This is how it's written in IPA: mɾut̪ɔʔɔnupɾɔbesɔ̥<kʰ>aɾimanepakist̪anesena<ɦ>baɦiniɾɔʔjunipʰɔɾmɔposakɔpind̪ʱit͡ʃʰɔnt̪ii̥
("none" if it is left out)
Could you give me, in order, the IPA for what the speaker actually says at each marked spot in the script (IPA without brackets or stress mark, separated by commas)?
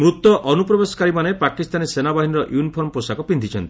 k, none